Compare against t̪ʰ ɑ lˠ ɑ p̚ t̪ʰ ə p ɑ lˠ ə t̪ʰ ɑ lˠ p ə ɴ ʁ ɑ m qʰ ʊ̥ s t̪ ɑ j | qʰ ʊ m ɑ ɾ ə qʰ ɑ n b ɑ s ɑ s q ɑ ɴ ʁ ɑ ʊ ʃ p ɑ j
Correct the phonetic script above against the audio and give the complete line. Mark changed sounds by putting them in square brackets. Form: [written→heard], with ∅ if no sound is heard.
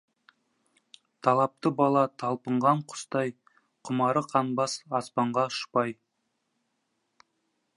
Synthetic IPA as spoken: t̪ʰ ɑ lˠ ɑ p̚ [t̪ʰ→t̪] ə [p→b] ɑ lˠ [ə→ɑ] t̪ʰ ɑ lˠ p ə ɴ ʁ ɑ [m→ɴ] qʰ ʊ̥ s t̪ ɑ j | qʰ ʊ m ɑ ɾ ə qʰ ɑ n b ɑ s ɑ s [q→p] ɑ ɴ ʁ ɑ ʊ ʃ p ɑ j